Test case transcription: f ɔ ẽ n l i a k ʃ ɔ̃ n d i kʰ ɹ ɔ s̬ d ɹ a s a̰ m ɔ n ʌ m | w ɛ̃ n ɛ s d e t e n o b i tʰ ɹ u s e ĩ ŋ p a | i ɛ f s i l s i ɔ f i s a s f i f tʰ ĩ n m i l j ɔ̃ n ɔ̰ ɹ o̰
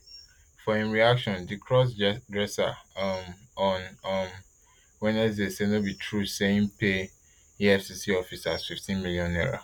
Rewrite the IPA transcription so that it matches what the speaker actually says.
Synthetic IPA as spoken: f ɔ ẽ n ɹ i a k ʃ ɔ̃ n d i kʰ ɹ ɔ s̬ d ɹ ɛ s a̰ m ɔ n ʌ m | w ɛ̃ n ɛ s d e s e n o b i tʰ ɹ u s e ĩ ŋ p e | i ɛ f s i s i ɔ f i s a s f i f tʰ ĩ n m i l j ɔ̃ n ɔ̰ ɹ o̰